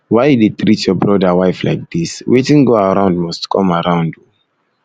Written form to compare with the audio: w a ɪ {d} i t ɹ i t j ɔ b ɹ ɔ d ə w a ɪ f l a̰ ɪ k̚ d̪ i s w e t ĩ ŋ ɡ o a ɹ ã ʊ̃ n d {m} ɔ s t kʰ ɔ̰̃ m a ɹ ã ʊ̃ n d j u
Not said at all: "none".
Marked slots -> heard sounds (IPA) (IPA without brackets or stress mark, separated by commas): d, m